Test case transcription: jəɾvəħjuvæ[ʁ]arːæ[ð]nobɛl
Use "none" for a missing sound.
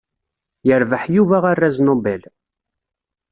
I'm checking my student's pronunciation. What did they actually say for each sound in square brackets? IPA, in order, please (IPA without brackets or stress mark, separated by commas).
ʁ, z